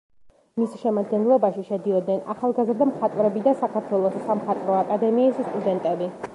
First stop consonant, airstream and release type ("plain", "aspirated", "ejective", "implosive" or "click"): plain